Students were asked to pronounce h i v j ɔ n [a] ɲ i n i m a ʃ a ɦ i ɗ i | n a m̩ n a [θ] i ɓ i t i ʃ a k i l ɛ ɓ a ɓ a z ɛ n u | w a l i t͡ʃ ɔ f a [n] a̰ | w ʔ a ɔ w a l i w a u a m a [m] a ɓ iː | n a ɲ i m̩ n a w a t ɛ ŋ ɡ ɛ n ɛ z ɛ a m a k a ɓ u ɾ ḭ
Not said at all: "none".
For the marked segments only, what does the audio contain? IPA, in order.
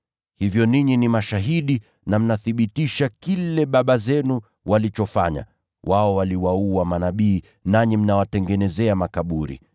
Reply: i, θ, ɲ, n

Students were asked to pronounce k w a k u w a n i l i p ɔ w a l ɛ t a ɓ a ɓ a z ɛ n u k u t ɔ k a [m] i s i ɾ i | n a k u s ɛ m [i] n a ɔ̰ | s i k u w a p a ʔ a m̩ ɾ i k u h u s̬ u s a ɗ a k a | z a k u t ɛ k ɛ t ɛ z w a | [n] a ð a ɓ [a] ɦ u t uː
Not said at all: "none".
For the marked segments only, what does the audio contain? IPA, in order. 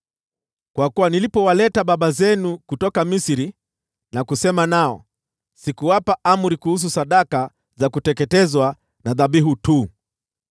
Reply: m, a, n, i

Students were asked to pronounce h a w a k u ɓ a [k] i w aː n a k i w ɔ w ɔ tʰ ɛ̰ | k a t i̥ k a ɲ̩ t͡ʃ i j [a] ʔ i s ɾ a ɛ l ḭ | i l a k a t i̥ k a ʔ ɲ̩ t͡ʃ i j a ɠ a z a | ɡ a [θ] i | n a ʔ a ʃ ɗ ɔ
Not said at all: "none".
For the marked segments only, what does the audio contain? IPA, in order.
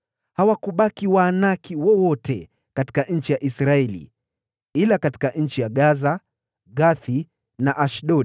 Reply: k, a, θ

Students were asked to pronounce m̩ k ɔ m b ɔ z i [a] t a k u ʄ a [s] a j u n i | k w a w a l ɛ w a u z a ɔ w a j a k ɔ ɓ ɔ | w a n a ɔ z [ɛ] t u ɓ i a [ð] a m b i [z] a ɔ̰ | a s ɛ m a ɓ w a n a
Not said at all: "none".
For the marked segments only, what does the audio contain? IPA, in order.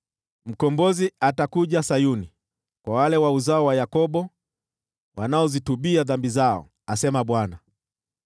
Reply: a, s, i, ð, z

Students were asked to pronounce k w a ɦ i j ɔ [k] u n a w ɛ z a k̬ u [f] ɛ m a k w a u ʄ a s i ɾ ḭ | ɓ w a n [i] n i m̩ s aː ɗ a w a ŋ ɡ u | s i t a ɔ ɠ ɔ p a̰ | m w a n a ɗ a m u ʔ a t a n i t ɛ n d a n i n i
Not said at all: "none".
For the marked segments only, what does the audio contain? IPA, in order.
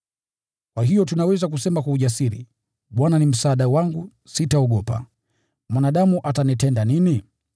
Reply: t, s, a

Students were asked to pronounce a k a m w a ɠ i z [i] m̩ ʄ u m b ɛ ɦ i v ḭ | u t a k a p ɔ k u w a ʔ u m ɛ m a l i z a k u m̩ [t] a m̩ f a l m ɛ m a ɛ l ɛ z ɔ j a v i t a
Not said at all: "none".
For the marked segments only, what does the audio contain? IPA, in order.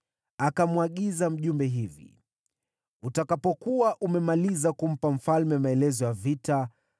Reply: a, p

